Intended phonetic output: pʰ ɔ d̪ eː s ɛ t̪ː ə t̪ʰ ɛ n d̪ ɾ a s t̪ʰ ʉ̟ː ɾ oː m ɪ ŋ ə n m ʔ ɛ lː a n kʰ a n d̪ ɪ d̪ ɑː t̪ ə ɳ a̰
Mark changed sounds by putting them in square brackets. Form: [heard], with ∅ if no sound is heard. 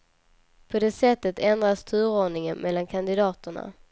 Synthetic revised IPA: pʰ ɔ d̪ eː s ɛ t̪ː ə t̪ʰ ɛ n d̪ ɾ a s t̪ʰ ʉ̟ː ɾ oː [ɳ] ɪ ŋ ə n m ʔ ɛ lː a n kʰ a n d̪ ɪ d̪ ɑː t̪ ə ɳ a̰